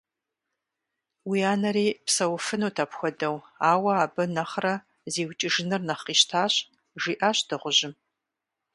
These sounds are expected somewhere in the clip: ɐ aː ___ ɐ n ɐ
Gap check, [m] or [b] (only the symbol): b